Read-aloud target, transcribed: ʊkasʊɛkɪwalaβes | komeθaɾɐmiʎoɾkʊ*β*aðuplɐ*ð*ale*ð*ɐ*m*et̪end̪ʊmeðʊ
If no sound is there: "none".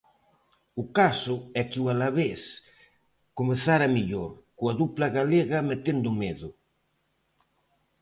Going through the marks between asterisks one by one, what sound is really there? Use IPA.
none, ɣ, ɣ, m

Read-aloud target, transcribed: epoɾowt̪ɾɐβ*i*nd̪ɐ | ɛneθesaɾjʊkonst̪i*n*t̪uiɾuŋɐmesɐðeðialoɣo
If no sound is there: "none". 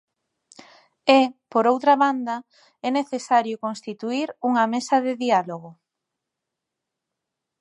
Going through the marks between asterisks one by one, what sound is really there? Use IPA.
a, none

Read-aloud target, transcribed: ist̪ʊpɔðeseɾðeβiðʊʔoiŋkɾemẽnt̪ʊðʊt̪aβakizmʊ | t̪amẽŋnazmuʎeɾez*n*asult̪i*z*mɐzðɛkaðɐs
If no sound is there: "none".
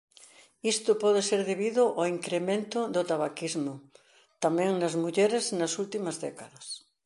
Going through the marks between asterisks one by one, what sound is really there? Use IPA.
n, none

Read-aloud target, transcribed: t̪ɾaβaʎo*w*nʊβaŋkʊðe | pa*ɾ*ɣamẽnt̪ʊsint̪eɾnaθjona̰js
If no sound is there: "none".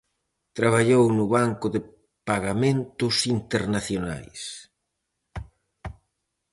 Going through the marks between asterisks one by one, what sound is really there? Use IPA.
w, none

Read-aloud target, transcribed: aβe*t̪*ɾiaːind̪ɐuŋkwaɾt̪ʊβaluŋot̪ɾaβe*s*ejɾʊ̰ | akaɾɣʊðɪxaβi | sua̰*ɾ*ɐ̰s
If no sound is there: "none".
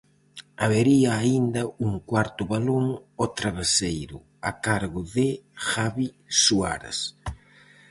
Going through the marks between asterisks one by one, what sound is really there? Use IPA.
none, s, ɾ

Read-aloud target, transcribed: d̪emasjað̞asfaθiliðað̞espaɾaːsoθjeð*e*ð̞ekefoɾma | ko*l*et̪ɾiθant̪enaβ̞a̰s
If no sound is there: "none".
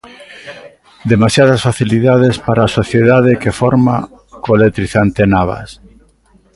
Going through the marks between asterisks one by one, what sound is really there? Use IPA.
a, l

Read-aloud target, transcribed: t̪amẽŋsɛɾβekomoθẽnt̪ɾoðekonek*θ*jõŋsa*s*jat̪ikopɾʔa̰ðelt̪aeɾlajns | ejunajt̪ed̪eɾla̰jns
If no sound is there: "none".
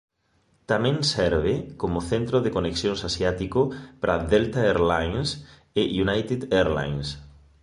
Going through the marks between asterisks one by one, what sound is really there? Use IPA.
s, s

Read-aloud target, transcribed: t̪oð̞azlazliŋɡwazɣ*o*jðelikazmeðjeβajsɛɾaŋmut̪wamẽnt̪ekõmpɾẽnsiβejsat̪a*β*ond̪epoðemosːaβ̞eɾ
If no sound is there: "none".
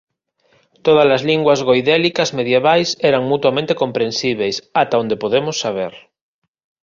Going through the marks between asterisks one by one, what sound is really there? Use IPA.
o, none

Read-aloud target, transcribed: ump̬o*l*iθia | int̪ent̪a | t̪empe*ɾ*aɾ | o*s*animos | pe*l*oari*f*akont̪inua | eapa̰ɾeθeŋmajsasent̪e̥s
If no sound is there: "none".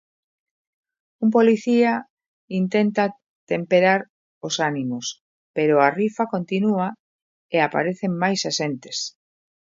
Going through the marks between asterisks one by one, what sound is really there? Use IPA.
l, ɾ, s, ɾ, f

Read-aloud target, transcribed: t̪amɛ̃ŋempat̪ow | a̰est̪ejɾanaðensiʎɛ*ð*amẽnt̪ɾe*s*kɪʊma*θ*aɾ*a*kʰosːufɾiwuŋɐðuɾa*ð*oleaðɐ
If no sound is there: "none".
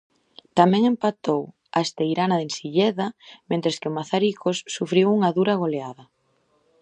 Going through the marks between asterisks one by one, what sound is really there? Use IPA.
ð, s, θ, i, ɣ

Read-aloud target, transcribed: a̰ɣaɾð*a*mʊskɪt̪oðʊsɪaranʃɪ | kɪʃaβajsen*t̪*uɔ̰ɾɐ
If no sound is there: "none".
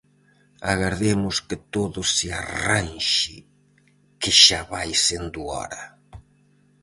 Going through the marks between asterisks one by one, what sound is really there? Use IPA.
e, d̪

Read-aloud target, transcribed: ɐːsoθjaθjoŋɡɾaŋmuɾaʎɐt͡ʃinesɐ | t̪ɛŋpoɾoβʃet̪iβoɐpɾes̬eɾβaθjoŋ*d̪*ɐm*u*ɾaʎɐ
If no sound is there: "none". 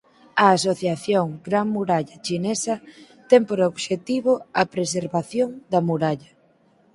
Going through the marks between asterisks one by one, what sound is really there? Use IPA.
d̪, u

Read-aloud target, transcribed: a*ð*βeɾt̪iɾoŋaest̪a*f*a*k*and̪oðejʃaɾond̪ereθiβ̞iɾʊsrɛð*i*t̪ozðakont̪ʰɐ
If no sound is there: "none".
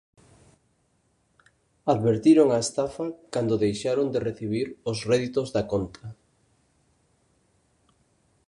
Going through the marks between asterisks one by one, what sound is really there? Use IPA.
ð, f, k, i

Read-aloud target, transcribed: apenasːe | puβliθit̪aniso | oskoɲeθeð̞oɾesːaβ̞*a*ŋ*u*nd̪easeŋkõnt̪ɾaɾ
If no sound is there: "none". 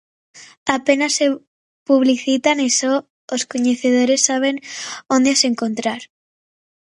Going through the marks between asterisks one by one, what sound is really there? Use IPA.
e, o

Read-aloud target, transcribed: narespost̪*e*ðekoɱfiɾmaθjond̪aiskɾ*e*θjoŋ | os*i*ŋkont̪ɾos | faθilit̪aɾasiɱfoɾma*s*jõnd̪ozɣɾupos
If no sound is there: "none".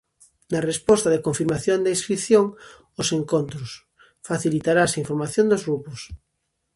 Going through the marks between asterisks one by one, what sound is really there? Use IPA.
a, i, e, θ

